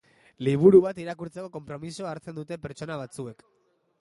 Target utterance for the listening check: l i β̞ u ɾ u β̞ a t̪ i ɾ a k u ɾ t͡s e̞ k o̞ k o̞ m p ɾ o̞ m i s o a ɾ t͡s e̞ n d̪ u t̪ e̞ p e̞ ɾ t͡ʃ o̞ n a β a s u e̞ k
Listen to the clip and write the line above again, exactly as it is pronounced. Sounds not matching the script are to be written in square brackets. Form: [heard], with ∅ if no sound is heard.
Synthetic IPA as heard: l i β̞ u ɾ u β̞ a t̪ i ɾ a k u ɾ t͡s e̞ k o̞ k o̞ m p ɾ o̞ m i s o a ɾ t͡s e̞ n d̪ u t̪ e̞ p e̞ ɾ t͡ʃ o̞ n a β a [t͡s] u e̞ k

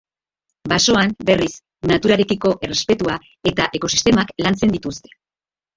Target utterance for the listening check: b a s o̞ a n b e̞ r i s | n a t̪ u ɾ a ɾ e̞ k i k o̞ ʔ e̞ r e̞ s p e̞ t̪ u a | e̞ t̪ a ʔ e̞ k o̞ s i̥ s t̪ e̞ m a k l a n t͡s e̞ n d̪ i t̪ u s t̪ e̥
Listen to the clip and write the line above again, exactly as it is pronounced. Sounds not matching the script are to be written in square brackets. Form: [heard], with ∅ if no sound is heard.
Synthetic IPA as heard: b a s o̞ a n b e̞ r i s | n a t̪ u ɾ a ɾ e̞ k i k o̞ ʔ e̞ r e̞ s p e̞ t̪ u a | e̞ t̪ a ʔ e̞ k o̞ s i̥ s t̪ e̞ m a k l a n t͡s e̞ n d̪ i t̪ u s t̪ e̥

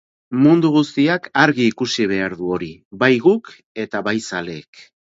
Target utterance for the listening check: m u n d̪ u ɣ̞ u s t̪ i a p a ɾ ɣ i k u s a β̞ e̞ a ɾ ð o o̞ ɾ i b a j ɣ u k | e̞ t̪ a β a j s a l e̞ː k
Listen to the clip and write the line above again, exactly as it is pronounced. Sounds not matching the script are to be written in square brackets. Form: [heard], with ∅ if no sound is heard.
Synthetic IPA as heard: m u n d̪ u ɣ̞ u s t̪ i a [k] a ɾ ɣ [iː] k u s [i] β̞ e̞ a ɾ ð [u] o̞ ɾ i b a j ɣ u k | e̞ t̪ a β a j s a l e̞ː k

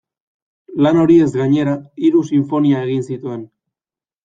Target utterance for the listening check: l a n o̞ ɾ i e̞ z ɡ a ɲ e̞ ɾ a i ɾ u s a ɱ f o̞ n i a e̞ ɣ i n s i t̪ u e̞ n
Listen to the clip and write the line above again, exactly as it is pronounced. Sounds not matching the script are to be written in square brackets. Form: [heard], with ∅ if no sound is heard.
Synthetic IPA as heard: l a n o̞ ɾ i e̞ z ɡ a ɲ e̞ ɾ a i ɾ u s [i] ɱ f o̞ n i a e̞ ɣ i n s i t̪ u e̞ n

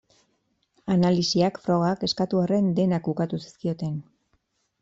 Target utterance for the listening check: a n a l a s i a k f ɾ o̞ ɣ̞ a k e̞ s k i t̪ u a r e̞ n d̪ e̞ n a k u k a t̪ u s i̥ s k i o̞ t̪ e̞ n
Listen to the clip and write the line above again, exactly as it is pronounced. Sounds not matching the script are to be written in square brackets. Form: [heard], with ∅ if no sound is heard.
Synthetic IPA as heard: a n a l [i] s i a k f ɾ o̞ ɣ̞ a k e̞ s k [a] t̪ u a r e̞ n d̪ e̞ n a k u k a t̪ u s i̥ s k i o̞ t̪ e̞ n

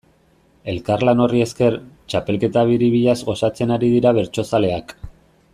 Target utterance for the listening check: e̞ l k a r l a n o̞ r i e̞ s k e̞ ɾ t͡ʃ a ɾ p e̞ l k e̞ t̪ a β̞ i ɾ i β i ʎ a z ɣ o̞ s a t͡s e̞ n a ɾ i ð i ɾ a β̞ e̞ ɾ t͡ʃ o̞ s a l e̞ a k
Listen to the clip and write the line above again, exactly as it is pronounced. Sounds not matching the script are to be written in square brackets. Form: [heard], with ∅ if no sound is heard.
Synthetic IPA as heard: e̞ l k a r l a n o̞ r i e̞ s k e̞ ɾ t͡ʃ a [∅] p e̞ l k e̞ t̪ a β̞ i ɾ i β i ʎ a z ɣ o̞ s a t͡s e̞ n a ɾ i ð i ɾ a β̞ e̞ ɾ t͡ʃ o̞ s a l e̞ a k

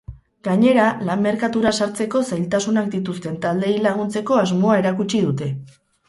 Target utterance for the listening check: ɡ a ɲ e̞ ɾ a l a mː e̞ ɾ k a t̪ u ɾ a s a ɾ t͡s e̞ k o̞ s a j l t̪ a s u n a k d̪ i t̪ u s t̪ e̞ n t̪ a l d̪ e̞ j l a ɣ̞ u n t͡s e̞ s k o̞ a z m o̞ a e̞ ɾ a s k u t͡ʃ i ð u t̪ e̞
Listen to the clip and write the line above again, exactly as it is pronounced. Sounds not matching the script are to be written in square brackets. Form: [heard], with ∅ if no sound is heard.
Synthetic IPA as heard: ɡ a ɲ e̞ ɾ a l a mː e̞ ɾ k a t̪ u ɾ a s a ɾ t͡s e̞ k o̞ s a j l t̪ a s u n a k d̪ i t̪ u s t̪ e̞ n t̪ a l d̪ e̞ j l a ɣ̞ u n t͡s e̞ [∅] k o̞ a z m o̞ a e̞ ɾ a [∅] k u t͡ʃ i ð u t̪ e̞

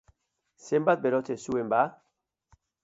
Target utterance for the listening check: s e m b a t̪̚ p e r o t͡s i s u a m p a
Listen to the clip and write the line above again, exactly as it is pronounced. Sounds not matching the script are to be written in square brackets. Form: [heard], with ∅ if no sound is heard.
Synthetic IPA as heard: s e m b a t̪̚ [b] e [ɾ] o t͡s [e] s u [e] m [b] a

